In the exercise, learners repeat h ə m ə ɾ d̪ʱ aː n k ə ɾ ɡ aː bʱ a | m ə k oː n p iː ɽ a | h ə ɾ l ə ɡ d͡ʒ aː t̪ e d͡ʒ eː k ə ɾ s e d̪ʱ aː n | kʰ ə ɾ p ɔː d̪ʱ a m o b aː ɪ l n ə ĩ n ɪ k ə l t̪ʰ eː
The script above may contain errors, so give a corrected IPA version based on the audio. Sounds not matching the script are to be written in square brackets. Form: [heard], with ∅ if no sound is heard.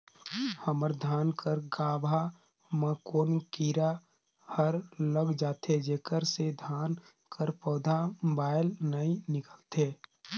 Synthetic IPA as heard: h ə m ə ɾ d̪ʱ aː n k ə ɾ ɡ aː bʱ a | m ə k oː n [k] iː [ɾ] a | h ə ɾ l ə ɡ d͡ʒ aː t̪ e d͡ʒ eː k ə ɾ s e d̪ʱ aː n | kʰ ə ɾ p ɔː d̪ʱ a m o b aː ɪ l n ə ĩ n ɪ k ə l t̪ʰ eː